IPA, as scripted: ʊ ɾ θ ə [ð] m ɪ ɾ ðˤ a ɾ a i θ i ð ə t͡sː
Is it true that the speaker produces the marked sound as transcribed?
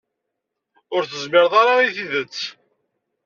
no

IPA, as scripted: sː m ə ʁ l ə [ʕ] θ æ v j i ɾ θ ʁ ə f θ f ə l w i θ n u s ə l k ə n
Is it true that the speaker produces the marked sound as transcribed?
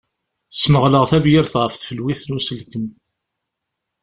no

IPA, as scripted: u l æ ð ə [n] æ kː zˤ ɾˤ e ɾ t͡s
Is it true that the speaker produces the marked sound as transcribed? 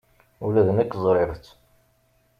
yes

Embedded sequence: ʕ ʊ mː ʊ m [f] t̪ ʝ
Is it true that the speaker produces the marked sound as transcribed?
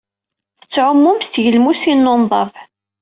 no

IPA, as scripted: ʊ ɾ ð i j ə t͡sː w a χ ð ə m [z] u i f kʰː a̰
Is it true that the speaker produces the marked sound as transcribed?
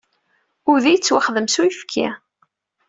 no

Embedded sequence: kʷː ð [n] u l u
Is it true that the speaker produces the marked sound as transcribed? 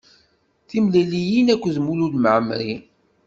no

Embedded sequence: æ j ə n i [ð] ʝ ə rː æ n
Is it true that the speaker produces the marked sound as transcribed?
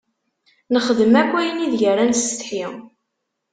yes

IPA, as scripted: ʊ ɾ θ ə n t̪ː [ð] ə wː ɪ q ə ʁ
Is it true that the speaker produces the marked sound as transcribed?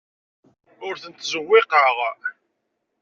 no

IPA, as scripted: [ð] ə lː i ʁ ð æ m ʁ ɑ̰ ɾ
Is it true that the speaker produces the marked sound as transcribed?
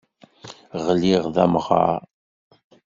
no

